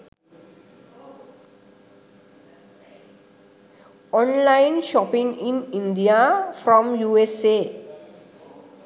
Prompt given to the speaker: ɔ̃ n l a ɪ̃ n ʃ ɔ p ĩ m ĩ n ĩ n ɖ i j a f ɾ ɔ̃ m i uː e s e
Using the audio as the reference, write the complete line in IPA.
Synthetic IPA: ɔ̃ n l a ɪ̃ n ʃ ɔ p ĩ ŋ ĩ n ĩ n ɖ i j a f ɾ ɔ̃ m j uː e s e

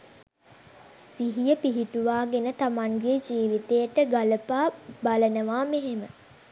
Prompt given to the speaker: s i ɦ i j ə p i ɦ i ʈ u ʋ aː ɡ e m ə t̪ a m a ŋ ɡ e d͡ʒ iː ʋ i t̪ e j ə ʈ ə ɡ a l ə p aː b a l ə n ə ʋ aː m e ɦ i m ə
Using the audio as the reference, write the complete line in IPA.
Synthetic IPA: s i ɦ i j ə p i ɦ i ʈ u ʋ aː ɡ e n ə t̪ a m a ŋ ɡ e d͡ʒ iː ʋ i t̪ e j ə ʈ ə ɡ a l ə p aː b a l ə n ə ʋ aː m e ɦ e m ə

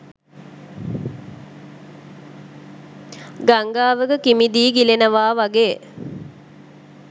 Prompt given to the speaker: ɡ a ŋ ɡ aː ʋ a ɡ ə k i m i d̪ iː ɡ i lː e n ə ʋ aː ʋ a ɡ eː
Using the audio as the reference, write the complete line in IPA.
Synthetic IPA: ɡ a ŋ ɡ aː ʋ ə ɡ ə k i m i d̪ iː ɡ i l e n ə ʋ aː ʋ a ɡ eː

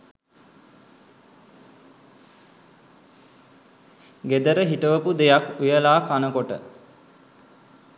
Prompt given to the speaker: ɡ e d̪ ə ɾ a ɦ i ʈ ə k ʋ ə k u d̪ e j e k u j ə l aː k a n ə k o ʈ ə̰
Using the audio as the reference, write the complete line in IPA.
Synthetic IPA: ɡ e d̪ ə ɾ ə ɦ i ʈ ə ʋ ə p u d̪ e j a k u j ə l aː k a n ə k o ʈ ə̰

